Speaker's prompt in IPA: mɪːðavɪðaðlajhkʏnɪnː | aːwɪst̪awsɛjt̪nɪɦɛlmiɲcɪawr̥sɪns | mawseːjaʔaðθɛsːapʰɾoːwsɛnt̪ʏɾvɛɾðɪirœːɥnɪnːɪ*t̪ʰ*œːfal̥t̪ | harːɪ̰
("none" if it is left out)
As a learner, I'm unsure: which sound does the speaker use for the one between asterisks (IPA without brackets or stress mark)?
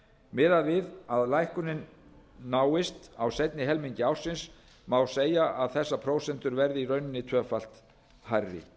t̪ʰ